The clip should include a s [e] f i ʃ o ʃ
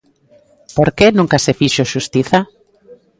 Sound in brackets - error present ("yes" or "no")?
no